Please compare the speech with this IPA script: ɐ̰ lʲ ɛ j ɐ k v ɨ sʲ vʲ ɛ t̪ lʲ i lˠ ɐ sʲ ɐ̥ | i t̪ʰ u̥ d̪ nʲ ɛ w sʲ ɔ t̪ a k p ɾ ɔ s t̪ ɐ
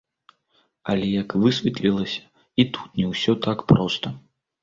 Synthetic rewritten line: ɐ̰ lʲ ɛ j ɐ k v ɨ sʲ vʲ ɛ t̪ lʲ i lˠ ɐ sʲ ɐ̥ | i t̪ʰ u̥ t̪ nʲ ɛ w sʲ ɔ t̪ a k p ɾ ɔ s t̪ ɐ